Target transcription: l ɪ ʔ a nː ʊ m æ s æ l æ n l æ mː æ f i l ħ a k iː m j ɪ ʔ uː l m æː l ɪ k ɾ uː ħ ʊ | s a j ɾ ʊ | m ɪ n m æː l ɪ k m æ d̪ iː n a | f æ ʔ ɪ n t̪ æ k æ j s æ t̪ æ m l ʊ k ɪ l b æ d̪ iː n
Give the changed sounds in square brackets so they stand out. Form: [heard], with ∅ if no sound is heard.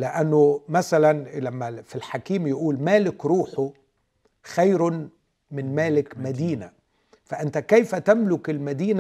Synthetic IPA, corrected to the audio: l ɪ ʔ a nː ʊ m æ s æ l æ n l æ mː æ f i l ħ a k iː m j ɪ ʔ uː l m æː l ɪ k ɾ uː ħ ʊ | [x] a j ɾ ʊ | m ɪ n m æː l ɪ k m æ d̪ iː n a | f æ ʔ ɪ n t̪ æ k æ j [f] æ t̪ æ m l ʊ k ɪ l [m] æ d̪ iː n